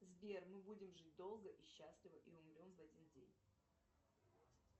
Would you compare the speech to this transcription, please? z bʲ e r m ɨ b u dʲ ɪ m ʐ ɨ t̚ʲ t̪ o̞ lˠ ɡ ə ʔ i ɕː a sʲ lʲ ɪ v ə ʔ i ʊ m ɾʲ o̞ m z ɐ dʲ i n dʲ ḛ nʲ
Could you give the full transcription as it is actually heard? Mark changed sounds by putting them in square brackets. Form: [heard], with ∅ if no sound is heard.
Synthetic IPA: z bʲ e r m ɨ b u dʲ ɪ m ʐ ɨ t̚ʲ [d̪] o̞ lˠ ɡ ə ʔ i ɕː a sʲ lʲ ɪ v ə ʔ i ʊ m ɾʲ o̞ m [v] ɐ dʲ i n dʲ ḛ nʲ